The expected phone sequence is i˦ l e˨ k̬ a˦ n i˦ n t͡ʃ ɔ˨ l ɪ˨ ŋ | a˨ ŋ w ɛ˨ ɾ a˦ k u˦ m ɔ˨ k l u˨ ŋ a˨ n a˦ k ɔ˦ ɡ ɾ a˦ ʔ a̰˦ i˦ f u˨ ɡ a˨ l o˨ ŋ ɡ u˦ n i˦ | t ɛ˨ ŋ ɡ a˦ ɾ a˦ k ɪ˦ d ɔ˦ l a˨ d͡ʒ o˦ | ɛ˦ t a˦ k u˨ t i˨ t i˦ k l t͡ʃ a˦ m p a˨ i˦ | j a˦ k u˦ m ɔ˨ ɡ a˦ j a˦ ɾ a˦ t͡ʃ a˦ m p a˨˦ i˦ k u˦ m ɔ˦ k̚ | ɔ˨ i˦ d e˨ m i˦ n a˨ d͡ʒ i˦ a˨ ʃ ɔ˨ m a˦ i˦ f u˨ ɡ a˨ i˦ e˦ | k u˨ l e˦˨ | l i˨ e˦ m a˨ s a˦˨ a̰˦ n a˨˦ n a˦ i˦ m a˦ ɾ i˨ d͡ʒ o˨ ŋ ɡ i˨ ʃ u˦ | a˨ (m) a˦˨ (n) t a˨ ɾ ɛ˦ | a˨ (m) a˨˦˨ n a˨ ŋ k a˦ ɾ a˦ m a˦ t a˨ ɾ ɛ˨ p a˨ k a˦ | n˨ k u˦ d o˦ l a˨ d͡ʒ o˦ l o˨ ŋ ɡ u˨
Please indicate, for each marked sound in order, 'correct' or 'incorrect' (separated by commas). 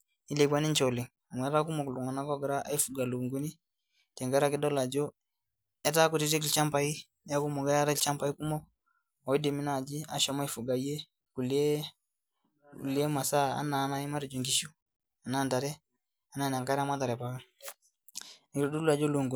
incorrect, correct, incorrect